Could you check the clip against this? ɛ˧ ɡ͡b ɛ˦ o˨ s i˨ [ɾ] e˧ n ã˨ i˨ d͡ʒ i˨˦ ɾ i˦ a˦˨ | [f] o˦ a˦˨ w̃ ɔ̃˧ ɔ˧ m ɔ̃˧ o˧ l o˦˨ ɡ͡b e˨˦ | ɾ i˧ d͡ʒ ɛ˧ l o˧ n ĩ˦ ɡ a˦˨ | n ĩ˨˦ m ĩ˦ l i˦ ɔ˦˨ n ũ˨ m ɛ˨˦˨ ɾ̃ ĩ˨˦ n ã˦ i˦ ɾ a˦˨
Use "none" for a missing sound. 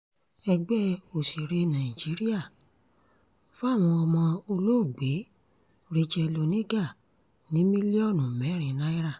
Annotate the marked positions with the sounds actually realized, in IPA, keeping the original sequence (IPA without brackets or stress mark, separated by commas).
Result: ɾ, f